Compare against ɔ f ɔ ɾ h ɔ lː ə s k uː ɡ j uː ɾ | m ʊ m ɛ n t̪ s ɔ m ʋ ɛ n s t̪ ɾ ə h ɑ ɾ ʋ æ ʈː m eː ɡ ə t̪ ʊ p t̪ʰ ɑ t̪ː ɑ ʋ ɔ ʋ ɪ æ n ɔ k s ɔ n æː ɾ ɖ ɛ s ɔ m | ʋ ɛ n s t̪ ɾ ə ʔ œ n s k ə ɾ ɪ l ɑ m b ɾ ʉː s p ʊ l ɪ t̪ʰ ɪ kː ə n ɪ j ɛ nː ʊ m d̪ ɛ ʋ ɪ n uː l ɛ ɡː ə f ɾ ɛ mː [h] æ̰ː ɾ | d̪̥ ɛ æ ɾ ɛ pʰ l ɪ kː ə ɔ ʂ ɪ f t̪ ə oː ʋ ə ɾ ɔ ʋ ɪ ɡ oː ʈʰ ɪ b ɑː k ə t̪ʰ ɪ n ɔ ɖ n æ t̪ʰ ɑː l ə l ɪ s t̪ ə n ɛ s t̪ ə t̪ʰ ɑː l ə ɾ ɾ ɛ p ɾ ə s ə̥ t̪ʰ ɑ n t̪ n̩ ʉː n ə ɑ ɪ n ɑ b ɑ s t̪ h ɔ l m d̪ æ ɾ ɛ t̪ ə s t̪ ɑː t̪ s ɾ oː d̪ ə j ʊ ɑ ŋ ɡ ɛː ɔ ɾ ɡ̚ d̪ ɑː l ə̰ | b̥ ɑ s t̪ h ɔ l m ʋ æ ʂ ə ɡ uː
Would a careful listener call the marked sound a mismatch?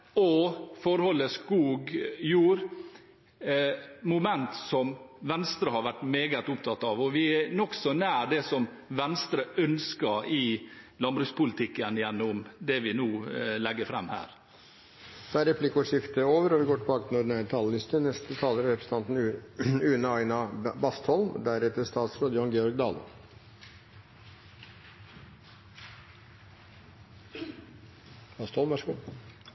no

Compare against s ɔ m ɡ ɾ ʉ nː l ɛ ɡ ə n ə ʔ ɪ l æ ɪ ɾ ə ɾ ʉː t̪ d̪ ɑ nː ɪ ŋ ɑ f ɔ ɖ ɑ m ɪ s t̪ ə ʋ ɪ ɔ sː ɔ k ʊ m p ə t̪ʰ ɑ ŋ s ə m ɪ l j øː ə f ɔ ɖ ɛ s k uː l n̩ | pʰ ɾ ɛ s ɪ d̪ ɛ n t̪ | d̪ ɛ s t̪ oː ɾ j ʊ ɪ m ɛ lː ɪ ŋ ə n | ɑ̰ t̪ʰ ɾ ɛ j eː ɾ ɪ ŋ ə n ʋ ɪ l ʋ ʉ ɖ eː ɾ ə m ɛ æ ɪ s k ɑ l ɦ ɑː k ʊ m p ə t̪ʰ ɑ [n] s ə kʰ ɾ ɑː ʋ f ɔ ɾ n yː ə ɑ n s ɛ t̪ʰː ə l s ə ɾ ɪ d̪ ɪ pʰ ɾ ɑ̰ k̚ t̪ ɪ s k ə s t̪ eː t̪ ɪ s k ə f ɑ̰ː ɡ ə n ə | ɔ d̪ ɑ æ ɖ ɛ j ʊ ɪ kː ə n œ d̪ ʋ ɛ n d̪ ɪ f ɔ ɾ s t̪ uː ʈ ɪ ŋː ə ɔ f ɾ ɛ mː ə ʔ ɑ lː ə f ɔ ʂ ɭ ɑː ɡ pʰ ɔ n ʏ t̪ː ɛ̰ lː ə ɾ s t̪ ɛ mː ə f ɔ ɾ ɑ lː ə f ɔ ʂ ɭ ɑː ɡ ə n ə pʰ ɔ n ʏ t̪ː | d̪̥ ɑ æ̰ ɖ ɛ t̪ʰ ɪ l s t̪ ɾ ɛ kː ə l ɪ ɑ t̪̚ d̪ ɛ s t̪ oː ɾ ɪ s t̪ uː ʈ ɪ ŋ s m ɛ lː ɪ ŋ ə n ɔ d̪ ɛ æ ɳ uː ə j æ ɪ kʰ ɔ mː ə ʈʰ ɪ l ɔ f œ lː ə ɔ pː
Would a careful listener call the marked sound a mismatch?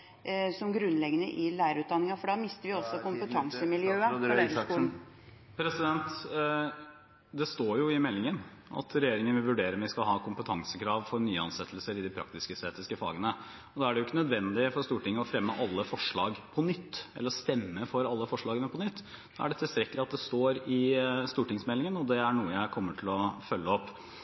yes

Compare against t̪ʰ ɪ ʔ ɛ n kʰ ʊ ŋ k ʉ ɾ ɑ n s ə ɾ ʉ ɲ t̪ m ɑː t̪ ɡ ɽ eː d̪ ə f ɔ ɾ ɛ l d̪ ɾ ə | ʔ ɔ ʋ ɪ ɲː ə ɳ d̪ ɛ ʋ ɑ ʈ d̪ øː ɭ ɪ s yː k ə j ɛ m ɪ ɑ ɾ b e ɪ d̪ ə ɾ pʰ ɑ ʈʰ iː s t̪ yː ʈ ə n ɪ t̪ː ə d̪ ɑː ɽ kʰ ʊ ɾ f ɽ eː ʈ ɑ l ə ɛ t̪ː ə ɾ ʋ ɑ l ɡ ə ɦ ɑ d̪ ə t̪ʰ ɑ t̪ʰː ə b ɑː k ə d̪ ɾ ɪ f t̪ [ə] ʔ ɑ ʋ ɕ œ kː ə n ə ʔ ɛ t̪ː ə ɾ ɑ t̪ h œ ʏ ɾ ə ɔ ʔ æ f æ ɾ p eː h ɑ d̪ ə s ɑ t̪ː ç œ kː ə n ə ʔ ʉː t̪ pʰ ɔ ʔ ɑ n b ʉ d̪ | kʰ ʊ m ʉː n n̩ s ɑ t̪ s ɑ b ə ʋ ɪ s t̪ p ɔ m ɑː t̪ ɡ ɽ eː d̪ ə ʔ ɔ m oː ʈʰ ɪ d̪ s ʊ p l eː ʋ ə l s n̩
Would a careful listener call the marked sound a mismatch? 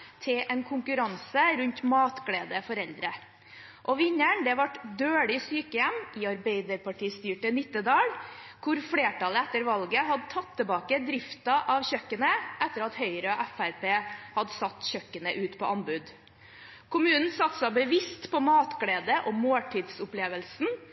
yes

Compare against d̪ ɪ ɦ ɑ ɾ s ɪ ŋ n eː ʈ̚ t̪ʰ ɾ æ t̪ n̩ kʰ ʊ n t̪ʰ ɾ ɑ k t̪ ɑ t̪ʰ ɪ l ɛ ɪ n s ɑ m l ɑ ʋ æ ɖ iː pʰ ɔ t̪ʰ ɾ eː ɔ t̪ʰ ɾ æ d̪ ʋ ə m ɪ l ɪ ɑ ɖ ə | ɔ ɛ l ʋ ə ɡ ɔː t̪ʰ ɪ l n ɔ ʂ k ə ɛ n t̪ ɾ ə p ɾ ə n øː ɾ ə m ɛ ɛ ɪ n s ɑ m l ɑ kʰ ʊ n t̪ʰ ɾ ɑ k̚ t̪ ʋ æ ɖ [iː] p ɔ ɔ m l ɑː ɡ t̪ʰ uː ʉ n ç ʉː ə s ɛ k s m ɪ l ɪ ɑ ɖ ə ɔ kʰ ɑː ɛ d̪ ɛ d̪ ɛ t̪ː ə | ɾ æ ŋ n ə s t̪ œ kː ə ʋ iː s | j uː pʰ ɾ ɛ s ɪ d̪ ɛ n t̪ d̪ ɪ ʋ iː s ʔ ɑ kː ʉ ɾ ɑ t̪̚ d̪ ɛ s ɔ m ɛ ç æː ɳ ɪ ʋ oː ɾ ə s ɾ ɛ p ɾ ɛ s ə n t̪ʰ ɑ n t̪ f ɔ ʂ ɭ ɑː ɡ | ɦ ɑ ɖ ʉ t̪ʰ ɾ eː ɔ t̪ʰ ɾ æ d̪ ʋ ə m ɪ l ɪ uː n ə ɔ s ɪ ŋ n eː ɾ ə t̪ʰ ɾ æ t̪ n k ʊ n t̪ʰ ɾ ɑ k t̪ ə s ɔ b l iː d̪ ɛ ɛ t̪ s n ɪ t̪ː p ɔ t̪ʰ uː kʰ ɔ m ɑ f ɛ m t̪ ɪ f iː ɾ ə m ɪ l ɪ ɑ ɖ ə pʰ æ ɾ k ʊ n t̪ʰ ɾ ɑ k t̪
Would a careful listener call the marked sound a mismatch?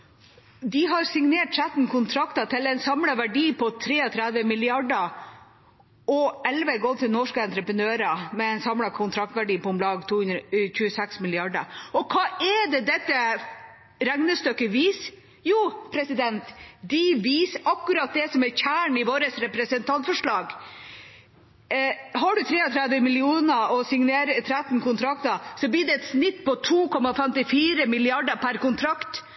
no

